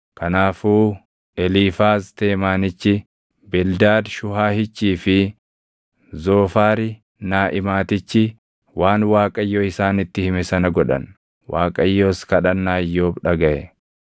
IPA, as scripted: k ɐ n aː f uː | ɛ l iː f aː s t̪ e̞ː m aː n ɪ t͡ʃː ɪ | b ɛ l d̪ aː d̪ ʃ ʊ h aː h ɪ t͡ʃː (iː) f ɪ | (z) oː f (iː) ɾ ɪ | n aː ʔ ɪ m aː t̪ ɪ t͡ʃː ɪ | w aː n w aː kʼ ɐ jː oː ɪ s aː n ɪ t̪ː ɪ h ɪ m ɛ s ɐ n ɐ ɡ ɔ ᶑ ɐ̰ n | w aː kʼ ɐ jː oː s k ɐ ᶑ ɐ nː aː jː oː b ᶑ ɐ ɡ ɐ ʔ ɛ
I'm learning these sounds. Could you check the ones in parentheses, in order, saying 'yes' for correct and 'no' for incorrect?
yes, yes, no

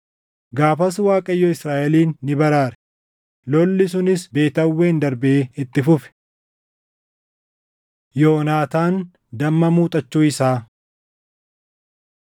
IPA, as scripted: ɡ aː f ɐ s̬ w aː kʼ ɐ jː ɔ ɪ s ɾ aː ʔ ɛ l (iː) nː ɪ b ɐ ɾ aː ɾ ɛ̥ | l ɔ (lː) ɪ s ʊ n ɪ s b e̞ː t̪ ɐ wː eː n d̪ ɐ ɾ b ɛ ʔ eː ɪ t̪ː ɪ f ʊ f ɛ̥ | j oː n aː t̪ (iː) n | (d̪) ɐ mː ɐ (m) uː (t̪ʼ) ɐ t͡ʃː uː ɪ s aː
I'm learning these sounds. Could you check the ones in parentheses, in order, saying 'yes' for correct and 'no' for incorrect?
yes, yes, no, yes, yes, yes

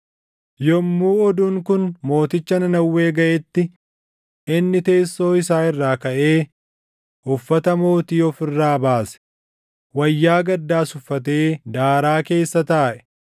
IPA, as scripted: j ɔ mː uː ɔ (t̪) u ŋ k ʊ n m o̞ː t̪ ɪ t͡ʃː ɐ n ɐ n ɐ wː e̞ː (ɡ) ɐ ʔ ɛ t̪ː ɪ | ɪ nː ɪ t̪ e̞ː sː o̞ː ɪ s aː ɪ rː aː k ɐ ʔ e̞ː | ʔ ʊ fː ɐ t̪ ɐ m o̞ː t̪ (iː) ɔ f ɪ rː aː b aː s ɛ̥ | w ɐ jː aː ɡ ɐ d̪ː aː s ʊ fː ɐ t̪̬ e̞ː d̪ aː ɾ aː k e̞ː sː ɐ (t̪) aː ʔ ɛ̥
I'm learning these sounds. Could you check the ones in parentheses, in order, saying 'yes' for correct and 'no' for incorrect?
no, yes, yes, yes

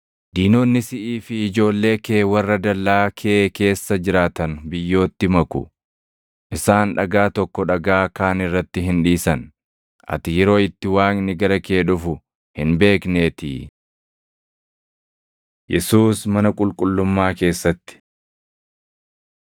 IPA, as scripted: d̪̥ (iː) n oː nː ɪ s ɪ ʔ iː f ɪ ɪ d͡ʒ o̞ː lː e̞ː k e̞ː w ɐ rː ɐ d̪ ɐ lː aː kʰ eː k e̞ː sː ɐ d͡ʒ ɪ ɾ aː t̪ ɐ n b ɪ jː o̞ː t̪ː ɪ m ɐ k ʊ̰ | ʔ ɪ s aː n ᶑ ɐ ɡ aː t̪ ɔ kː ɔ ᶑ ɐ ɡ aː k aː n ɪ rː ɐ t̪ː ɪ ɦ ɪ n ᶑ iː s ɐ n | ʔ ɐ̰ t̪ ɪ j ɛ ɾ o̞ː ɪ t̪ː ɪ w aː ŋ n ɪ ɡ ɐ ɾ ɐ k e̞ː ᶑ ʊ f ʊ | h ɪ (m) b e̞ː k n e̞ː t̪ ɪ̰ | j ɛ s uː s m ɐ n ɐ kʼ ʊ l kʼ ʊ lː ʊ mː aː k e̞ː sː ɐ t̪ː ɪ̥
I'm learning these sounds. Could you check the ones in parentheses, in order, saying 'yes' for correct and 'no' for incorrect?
yes, no

